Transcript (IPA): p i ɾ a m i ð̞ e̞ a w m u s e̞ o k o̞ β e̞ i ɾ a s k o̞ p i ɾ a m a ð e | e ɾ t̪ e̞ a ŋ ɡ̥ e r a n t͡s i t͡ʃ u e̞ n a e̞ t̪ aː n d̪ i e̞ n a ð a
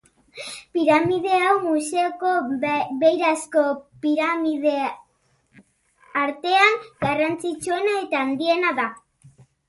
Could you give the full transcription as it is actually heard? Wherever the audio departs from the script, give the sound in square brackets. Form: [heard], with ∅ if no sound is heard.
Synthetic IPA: p i ɾ a m i ð̞ e̞ a w m u s e̞ o k o̞ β e̞ [j] ɾ a s k o̞ p i ɾ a m [i] ð e | [a] ɾ t̪ e̞ a ŋ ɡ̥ [a] r a n t͡s i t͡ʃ u e̞ n a e̞ t̪ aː n d̪ i e̞ n a ð a